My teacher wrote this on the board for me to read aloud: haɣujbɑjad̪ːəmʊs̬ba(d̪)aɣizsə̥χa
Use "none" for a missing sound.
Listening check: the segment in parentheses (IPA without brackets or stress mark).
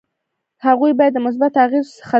t̪